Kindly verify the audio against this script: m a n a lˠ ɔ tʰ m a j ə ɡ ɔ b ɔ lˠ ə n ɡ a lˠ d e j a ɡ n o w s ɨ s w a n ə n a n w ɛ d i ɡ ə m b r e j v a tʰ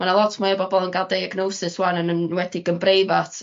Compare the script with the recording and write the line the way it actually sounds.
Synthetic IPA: m a n a lˠ ɔ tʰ m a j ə b ɔ b ɔ lˠ ə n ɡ a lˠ d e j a ɡ n o w s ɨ s w a n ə n ə n w ɛ d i ɡ ə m b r e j v a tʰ